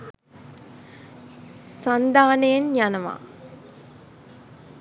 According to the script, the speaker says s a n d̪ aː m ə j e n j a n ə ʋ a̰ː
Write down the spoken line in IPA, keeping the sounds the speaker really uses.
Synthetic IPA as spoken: s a n d̪ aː n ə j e n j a n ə ʋ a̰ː